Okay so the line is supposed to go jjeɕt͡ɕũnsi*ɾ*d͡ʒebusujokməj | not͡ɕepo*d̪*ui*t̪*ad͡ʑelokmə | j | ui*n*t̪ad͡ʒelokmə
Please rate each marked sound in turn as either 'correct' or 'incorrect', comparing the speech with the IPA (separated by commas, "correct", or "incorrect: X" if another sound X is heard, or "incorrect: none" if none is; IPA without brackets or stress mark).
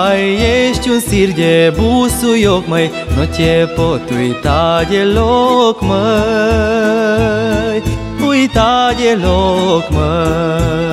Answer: correct, incorrect: t̪, correct, incorrect: none